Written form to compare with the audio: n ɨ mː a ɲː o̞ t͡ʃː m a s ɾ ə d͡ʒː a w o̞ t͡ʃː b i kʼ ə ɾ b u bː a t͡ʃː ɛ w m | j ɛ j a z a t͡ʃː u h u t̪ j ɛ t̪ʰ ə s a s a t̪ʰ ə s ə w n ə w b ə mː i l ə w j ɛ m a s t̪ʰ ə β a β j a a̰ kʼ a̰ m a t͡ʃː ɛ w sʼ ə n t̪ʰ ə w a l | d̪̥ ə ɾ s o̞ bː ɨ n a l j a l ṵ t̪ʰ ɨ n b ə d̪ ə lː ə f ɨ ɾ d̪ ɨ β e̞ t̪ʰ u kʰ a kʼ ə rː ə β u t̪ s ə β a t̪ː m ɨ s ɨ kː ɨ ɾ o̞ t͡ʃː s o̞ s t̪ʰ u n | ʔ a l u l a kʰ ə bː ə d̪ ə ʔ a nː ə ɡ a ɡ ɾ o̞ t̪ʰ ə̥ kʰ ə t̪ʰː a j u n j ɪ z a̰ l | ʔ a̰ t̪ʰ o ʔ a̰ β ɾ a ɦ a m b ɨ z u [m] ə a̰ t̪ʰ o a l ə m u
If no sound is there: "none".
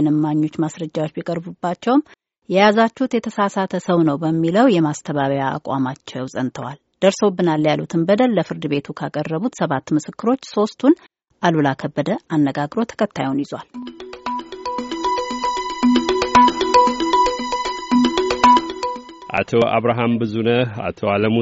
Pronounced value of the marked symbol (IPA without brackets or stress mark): n